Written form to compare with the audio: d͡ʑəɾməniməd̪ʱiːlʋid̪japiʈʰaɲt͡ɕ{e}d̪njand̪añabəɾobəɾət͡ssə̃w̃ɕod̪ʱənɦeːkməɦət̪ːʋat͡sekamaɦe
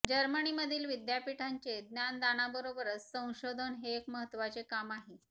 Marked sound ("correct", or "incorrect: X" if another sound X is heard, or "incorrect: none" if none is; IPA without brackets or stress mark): correct